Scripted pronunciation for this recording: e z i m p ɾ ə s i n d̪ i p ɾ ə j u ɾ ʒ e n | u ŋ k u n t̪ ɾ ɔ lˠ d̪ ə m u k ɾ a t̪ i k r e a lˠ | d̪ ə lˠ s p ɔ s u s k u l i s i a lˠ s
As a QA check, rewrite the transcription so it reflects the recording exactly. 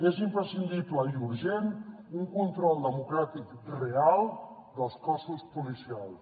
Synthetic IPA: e z i m p ɾ ə s i n d̪ i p l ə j u ɾ ʒ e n | u ŋ k u n t̪ ɾ ɔ lˠ d̪ ə m u k ɾ a t̪ i k r e a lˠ | d̪ ə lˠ s k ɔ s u s p u l i s i a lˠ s